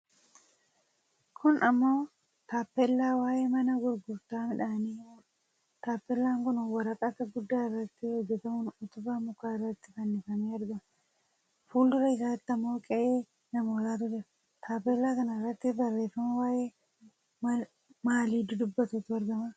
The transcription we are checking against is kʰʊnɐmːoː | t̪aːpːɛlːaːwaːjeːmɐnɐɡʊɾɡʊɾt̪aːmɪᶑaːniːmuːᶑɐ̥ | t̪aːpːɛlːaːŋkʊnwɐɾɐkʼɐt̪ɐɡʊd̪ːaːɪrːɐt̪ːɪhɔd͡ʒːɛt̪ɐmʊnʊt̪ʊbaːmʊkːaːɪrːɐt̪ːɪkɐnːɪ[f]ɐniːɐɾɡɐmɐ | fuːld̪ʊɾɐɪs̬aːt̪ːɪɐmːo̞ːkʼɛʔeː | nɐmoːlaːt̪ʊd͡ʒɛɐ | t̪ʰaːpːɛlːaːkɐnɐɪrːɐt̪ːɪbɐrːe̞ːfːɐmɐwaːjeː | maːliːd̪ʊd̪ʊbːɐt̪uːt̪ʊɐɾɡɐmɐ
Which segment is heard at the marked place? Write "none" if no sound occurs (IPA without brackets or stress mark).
f